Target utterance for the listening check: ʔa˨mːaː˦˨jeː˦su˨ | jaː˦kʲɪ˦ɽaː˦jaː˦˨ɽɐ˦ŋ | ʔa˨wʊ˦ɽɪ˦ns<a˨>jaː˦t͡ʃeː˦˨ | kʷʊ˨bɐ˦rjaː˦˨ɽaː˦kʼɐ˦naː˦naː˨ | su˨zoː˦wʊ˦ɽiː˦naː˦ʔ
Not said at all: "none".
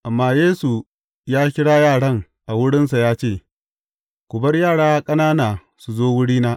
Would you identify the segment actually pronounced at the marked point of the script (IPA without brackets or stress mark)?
a˨